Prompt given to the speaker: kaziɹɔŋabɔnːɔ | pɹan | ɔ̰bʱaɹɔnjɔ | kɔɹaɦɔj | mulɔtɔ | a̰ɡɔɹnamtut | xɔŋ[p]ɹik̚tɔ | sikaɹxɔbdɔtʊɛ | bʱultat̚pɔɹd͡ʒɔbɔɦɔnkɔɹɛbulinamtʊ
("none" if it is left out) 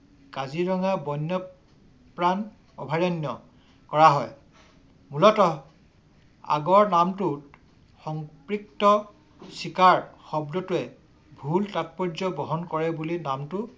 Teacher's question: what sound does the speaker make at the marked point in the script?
p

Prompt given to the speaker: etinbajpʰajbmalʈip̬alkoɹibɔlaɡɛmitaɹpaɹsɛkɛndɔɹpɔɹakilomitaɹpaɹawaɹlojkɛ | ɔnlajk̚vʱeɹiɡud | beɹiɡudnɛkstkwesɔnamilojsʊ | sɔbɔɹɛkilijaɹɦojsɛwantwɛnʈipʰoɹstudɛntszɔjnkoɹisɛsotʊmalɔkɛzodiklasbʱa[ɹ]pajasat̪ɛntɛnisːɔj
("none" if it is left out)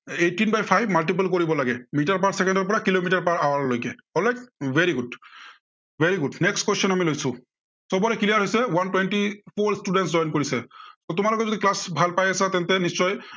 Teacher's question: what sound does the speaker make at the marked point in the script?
l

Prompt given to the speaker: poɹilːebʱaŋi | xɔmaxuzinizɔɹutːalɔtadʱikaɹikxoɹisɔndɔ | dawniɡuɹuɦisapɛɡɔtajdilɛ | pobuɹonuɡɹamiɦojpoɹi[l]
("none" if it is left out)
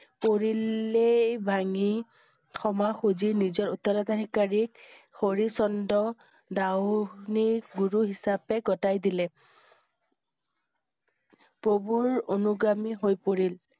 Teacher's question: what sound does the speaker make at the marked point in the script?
l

